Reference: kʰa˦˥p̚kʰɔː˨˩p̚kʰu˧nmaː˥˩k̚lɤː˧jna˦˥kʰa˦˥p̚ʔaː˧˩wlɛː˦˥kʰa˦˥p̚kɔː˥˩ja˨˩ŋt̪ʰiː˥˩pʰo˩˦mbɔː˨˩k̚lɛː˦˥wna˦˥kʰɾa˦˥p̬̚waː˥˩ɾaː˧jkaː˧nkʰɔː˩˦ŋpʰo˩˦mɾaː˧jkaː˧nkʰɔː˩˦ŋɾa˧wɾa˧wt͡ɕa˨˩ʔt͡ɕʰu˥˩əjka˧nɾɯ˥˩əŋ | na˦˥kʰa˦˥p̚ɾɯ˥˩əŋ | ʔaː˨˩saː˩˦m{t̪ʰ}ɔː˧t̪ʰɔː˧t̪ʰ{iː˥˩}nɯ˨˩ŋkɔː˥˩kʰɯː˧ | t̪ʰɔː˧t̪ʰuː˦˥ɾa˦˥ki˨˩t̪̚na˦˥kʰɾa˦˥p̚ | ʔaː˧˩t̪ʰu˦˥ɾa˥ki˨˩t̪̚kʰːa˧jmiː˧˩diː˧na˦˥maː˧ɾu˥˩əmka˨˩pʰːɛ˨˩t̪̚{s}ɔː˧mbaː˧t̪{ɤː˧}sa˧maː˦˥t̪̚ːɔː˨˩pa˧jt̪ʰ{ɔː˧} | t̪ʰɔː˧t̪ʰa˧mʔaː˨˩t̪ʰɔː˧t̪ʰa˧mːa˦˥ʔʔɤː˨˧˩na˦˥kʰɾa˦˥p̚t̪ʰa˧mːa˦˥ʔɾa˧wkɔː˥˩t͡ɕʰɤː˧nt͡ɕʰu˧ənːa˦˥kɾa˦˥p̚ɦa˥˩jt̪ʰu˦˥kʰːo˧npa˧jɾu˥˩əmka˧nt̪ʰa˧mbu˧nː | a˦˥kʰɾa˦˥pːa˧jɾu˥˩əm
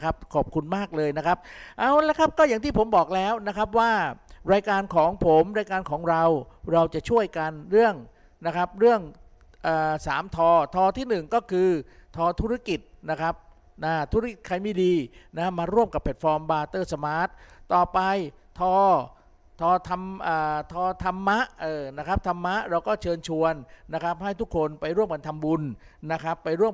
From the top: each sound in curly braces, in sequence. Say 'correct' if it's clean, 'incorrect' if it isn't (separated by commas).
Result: correct, correct, incorrect, incorrect, correct